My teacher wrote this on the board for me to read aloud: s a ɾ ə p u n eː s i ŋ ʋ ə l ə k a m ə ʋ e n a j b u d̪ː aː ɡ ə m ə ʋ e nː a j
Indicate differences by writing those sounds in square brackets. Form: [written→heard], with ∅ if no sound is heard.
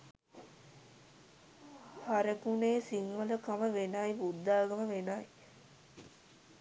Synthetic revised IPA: [s→h] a ɾ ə [p→k] u n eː s i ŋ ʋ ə l ə k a m ə ʋ e n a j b u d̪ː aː ɡ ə m ə ʋ e [nː→n] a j

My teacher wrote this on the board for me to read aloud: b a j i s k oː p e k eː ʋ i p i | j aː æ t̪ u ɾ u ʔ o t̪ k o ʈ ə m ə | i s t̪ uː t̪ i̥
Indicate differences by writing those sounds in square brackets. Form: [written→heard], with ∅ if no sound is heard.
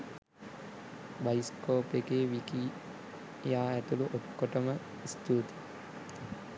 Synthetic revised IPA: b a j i s k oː p e k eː ʋ i [p→k] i | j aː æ t̪ u [ɾ→l] u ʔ o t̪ k o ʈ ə m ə | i s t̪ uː t̪ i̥

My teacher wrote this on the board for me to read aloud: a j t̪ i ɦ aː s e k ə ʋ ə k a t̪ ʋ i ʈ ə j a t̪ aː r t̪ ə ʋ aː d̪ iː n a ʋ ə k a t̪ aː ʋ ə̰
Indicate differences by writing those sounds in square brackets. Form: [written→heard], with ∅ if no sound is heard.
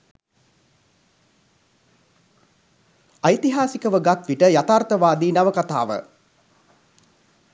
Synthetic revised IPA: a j t̪ i ɦ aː s [e→i] k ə ʋ ə [k→ɡ] a t̪ ʋ i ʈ ə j a t̪ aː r t̪ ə ʋ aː d̪ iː n a ʋ ə k a t̪ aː ʋ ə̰

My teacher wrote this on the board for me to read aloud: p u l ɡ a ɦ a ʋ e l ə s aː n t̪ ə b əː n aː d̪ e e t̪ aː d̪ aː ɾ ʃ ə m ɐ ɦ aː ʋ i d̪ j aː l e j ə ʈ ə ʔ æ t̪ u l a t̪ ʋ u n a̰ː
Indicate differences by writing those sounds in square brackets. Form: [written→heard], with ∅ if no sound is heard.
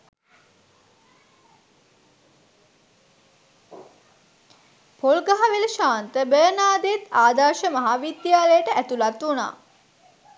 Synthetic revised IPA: p [u→o] l ɡ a ɦ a ʋ e l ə [s→ʃ] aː n t̪ ə b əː n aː d̪ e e t̪ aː d̪ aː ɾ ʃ ə m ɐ ɦ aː ʋ i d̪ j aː l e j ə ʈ ə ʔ æ t̪ u l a t̪ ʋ u n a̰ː

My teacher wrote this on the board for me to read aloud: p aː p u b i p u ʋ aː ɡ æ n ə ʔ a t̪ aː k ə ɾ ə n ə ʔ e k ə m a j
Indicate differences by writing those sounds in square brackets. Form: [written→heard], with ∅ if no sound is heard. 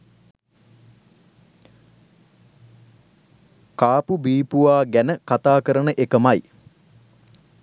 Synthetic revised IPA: [p→k] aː p u b [i→iː] p u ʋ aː ɡ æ n ə [ʔ→k] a t̪ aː k ə ɾ ə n ə ʔ e k ə m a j

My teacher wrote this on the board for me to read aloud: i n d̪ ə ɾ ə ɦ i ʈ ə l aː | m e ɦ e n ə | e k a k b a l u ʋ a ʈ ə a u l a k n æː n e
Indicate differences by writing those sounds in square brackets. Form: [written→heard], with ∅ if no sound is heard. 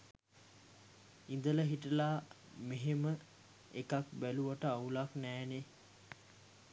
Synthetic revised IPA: i n d̪ ə [ɾ→l] ə ɦ i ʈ ə l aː | m e ɦ e [n→m] ə | e k a k b [a→æ] l u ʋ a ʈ ə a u l a k n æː n e

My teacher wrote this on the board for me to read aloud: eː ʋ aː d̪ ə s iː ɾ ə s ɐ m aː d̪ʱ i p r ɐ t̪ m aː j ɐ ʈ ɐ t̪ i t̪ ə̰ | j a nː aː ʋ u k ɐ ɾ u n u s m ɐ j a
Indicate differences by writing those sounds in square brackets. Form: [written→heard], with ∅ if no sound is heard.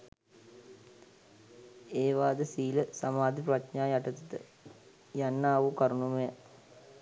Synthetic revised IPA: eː ʋ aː d̪ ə s iː [ɾ→l] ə s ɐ m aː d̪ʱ i p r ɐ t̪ [m→ɲ] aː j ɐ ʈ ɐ t̪ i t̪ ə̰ | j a nː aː ʋ u k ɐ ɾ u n u [s→∅] m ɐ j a

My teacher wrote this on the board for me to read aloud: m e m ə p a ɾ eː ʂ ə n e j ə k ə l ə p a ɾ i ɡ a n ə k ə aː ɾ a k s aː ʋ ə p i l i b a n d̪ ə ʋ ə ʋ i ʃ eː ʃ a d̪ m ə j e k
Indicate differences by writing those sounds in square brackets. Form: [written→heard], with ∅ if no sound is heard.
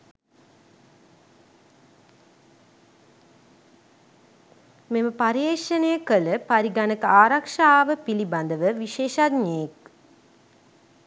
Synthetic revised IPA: m e m ə p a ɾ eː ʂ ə n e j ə k ə l ə p a ɾ i ɡ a n ə k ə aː ɾ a k [s→ʂ] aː ʋ ə p i l i b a n d̪ ə ʋ ə ʋ i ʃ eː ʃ a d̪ [m→ɲ] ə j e k

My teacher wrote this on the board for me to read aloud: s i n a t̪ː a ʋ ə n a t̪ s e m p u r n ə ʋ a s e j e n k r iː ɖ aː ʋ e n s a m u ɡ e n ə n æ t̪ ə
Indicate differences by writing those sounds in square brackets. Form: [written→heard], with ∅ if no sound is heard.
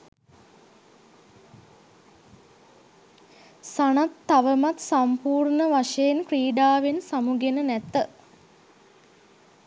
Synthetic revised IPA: s [i→a] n a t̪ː a ʋ ə [n→m] a t̪ s [e→a] m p [u→uː] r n ə ʋ a [s→ʂ] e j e n k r iː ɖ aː ʋ e n s a m u ɡ e n ə n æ t̪ ə

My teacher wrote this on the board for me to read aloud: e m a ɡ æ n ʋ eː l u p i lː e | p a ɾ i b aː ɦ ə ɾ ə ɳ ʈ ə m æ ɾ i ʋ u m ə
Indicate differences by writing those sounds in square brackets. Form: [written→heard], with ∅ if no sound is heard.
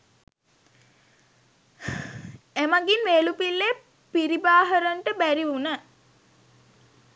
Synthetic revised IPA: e m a ɡ [æ→i] n ʋ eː l u p i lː e | p [a→i] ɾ i b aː ɦ ə ɾ ə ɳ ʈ ə [m→b] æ ɾ i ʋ u [m→n] ə

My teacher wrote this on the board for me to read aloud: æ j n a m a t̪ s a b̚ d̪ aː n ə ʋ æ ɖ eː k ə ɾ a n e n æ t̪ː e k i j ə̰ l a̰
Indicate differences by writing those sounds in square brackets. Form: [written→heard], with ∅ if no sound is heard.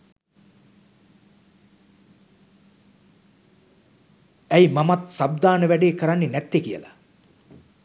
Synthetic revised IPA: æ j [n→m] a m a t̪ s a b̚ d̪ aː n ə ʋ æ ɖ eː k ə ɾ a [n→nː] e n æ t̪ː e k i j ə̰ l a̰

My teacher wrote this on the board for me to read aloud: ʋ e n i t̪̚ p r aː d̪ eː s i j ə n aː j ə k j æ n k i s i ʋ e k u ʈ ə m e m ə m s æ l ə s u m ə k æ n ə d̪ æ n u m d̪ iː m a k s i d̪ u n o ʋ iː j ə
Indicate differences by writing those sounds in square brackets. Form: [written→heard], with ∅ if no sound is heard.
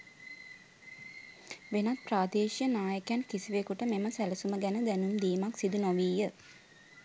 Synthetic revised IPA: ʋ e n [i→a] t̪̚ p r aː d̪ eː [s→ʃ] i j ə n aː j ə k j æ n k i s i ʋ e k u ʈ ə m e m ə [m→∅] s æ l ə s u m ə [k→ɡ] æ n ə d̪ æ n u m d̪ iː m a k s i d̪ u n o ʋ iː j ə

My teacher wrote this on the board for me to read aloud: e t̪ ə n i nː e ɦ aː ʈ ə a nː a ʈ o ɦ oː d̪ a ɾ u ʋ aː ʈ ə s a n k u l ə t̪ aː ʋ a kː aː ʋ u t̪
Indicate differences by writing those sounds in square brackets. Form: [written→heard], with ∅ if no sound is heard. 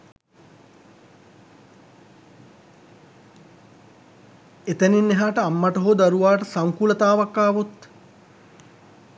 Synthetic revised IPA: e t̪ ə n i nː e ɦ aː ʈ ə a [nː→mː] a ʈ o ɦ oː d̪ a ɾ u ʋ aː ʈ ə s a [n→ŋ] k u l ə t̪ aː ʋ a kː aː ʋ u t̪

